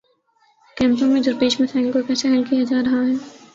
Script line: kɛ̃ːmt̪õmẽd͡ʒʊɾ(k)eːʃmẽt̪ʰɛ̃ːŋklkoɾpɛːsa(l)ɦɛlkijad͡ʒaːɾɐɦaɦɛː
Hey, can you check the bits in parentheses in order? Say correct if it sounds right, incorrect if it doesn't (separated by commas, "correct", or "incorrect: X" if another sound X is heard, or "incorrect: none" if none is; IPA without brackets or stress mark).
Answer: incorrect: p, incorrect: none